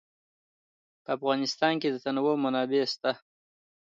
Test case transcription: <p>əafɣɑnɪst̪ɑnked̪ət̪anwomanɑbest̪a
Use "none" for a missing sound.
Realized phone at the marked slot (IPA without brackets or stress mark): p